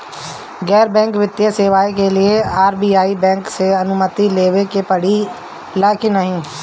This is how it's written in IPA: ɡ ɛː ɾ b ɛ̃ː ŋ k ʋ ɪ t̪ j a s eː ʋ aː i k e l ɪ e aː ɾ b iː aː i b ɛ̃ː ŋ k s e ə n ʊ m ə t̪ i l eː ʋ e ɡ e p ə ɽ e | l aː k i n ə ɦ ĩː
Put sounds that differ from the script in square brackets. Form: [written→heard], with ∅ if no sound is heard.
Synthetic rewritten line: ɡ ɛː ɾ b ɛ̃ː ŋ k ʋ ɪ t̪ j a s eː ʋ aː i k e l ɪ e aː ɾ b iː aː i b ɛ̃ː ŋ k s e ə n ʊ m ə t̪ i l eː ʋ e [ɡ→k] e p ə ɽ [e→i] | l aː k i n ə ɦ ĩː